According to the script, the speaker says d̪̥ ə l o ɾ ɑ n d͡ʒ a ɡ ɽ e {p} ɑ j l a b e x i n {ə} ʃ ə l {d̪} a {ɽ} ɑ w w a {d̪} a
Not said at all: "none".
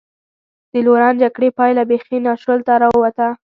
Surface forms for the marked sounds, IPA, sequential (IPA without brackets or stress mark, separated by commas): p, ɑ, t̪, ɾ, t̪